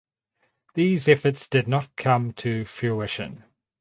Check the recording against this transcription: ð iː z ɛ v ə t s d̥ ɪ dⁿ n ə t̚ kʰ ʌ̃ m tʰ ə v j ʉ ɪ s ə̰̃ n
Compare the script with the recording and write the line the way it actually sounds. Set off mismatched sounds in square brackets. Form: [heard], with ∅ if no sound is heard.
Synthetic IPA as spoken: ð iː z ɛ [f] ə t s d̥ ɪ dⁿ n ə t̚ kʰ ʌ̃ m tʰ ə [f] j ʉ ɪ [ʃ] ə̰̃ n